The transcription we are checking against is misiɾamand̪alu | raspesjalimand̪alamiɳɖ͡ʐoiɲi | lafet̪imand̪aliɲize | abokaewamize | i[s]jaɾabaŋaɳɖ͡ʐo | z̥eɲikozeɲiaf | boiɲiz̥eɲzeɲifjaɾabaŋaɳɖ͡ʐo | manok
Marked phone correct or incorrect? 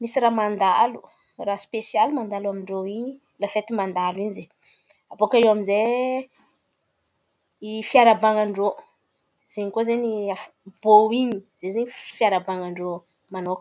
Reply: incorrect